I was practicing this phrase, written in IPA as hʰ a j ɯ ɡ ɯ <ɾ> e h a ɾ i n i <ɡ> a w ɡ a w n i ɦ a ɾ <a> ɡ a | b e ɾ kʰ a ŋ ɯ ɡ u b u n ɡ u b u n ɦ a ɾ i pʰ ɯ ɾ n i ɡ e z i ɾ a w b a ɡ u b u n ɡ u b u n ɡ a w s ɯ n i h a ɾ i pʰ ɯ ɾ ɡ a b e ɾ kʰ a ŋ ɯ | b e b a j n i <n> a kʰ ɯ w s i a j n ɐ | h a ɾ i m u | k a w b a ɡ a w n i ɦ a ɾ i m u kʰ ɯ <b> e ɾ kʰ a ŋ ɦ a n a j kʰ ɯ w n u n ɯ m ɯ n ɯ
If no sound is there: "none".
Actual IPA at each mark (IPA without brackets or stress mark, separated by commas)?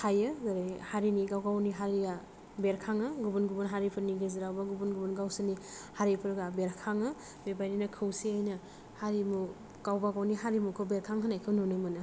ɾ, ɡ, i, n, b